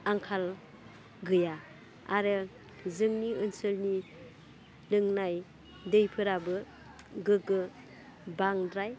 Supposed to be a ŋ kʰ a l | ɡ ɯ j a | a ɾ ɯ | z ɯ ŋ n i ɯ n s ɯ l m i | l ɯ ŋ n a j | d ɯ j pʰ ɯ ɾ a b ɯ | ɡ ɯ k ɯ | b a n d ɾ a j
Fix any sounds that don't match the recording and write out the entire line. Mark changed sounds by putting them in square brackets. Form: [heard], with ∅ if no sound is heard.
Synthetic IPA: a ŋ kʰ a l | ɡ ɯ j a | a ɾ ɯ | z ɯ ŋ n i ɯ n s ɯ l [n] i | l ɯ ŋ n a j | d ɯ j pʰ ɯ ɾ a b ɯ | ɡ ɯ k ɯ | b a [ŋ] d ɾ a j